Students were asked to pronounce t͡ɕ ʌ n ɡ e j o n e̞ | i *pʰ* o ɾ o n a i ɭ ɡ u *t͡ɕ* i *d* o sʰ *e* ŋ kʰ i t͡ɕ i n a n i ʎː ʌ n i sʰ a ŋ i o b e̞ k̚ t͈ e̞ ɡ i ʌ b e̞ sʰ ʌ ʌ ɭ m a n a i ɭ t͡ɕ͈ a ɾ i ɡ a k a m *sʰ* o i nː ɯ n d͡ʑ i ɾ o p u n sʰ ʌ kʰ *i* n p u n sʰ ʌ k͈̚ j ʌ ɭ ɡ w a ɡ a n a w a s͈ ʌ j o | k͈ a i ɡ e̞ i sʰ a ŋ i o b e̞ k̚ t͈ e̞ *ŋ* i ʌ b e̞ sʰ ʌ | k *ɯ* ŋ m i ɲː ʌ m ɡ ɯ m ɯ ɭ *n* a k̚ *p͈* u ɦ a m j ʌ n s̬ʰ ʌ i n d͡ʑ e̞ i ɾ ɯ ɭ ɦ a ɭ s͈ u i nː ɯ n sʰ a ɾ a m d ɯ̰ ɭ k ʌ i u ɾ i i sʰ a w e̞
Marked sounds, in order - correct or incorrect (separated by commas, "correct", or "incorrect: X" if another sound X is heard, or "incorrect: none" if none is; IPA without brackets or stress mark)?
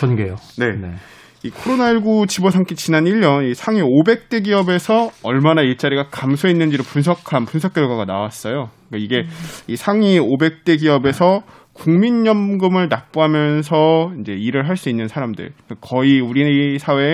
incorrect: kʰ, correct, incorrect: b, incorrect: a, correct, incorrect: a, incorrect: ɡ, incorrect: u, correct, correct